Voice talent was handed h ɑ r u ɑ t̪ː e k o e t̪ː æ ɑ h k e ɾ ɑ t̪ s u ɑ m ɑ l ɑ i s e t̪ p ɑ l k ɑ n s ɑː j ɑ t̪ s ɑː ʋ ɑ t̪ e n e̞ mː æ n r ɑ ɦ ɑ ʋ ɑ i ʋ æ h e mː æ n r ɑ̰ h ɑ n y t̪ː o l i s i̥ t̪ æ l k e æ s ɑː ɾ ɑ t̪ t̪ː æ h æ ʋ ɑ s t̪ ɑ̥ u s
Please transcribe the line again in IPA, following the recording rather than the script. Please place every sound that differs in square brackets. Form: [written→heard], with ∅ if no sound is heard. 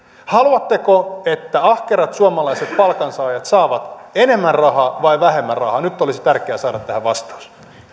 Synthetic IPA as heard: h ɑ [r→l] u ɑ t̪ː e k o e t̪ː æ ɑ h k e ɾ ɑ t̪ s u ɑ m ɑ l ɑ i s e t̪ p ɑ l k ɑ n s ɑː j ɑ t̪ s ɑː ʋ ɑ t̪ e n e̞ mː æ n r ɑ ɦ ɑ ʋ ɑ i ʋ æ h e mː æ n r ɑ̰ h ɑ n y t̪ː o l i s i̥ t̪ æ [l→r] k e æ s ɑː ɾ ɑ t̪ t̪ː æ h æ ʋ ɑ s t̪ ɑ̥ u s